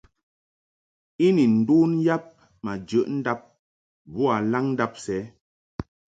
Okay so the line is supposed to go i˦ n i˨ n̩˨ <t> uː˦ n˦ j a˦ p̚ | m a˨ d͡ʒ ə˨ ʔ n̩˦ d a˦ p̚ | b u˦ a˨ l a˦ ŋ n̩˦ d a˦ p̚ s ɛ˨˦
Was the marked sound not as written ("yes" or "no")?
yes